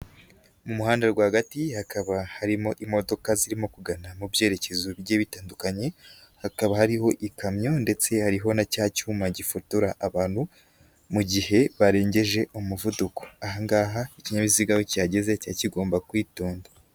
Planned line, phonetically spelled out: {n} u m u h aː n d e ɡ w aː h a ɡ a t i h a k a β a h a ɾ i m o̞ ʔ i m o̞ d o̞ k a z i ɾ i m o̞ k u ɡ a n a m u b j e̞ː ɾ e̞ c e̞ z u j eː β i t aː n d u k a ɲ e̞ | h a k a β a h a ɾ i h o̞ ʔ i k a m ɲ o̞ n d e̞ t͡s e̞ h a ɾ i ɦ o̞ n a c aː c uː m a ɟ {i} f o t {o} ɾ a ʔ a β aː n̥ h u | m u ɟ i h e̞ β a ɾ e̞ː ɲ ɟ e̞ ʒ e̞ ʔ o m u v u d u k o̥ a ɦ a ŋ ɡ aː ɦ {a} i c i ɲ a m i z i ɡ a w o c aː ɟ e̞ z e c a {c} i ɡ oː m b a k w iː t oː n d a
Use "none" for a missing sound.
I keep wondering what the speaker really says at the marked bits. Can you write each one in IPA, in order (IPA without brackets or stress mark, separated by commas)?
m, i, u, a, c